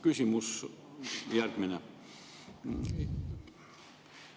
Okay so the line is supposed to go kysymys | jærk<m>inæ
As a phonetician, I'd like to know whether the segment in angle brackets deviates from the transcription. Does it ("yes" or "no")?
no